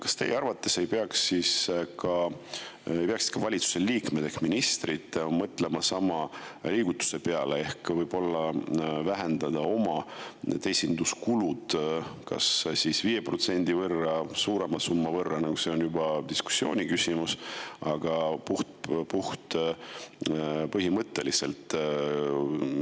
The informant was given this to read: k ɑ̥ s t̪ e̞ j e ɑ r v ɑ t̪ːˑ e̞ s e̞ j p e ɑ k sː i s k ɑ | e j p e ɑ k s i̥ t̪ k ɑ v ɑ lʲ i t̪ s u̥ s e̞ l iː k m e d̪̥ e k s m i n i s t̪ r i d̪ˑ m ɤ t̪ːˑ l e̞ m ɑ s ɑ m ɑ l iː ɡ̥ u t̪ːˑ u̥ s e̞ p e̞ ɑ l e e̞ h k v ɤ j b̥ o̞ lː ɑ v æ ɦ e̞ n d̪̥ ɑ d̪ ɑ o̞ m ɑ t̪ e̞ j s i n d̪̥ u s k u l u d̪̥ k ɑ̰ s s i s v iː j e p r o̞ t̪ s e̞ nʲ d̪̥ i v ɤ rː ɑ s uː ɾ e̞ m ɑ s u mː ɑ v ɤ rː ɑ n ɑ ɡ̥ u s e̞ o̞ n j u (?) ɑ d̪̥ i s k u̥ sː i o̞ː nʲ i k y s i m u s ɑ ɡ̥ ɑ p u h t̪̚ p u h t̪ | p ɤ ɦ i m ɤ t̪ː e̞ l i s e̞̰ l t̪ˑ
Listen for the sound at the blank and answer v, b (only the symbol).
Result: b